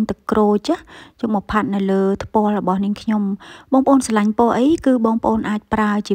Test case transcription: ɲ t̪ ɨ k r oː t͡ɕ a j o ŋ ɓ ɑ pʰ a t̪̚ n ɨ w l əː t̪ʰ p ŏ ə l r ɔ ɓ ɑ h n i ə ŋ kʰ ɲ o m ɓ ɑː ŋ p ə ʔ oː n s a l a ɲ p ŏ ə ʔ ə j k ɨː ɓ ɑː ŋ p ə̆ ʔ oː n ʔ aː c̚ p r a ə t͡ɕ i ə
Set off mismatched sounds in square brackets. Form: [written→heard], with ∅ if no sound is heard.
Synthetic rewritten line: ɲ t̪ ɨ k r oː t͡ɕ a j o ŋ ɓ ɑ pʰ a t̪̚ n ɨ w l əː t̪ʰ p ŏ ə l r ɔ ɓ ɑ h n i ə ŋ kʰ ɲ o m ɓ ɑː ŋ p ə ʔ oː n s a l a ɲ p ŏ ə ʔ ə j k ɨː ɓ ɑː ŋ p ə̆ ʔ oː n ʔ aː c̚ p r a ə t͡ɕ i ə